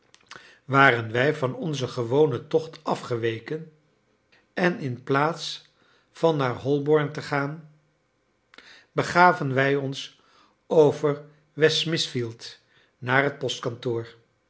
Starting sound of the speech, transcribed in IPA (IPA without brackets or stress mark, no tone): ʋ